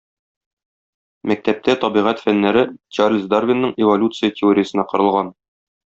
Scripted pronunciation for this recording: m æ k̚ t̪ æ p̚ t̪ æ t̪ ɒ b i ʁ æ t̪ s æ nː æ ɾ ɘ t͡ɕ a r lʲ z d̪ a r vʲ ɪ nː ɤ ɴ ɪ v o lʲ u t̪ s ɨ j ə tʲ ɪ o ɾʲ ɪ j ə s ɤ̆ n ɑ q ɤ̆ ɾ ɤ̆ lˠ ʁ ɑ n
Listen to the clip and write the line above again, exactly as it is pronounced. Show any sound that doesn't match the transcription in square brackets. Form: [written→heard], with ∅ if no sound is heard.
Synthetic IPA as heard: m æ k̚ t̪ æ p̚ t̪ æ t̪ ɒ b i ʁ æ t̪ [s→f] æ nː æ ɾ ɘ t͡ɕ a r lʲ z d̪ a r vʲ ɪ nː ɤ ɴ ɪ v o lʲ u t̪ s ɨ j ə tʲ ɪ o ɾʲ ɪ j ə s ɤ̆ n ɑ q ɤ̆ ɾ ɤ̆ lˠ ʁ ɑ n